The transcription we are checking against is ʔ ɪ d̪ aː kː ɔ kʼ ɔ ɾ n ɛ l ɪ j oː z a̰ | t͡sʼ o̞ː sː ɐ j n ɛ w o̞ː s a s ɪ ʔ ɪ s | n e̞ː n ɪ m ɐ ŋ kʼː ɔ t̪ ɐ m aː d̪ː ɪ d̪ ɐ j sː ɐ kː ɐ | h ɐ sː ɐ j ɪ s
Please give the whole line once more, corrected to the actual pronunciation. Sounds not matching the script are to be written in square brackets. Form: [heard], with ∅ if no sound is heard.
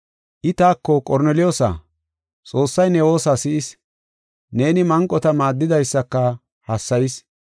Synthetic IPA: ʔ ɪ [t̪] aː kː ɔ kʼ ɔ ɾ n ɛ l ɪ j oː [s] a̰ | t͡sʼ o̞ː sː ɐ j n ɛ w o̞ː s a s ɪ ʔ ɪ s | n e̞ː n ɪ m ɐ ŋ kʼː ɔ t̪ ɐ m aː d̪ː ɪ d̪ ɐ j sː ɐ kː ɐ | h ɐ sː ɐ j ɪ s